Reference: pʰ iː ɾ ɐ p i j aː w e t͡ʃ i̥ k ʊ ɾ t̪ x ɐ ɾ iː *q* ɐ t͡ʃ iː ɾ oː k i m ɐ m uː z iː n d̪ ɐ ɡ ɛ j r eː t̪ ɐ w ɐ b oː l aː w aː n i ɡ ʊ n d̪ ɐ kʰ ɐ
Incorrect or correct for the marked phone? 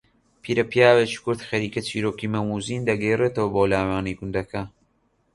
incorrect: k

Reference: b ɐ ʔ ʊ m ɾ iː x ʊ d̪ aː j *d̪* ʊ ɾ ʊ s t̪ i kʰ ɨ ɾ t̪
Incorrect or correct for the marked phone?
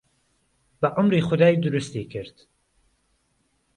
correct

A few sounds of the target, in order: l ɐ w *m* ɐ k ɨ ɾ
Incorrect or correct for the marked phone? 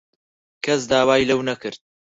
incorrect: n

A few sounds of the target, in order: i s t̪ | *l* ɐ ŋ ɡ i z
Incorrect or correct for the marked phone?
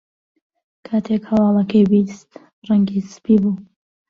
incorrect: r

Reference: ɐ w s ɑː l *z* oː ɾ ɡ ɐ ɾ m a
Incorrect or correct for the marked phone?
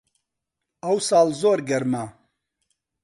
correct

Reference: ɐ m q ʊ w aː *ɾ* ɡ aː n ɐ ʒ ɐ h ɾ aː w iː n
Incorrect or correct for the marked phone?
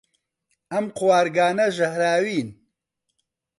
correct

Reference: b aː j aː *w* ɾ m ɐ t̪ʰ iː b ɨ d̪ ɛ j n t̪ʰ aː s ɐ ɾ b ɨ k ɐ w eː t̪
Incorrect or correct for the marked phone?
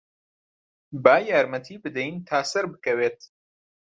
incorrect: none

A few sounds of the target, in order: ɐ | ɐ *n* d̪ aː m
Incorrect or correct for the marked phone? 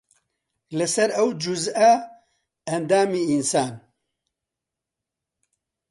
correct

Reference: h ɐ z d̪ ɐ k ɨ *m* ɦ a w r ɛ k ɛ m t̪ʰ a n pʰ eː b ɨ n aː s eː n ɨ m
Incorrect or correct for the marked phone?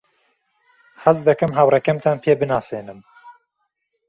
correct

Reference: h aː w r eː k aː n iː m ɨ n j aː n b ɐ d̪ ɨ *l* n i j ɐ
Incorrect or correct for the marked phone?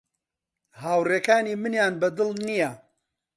correct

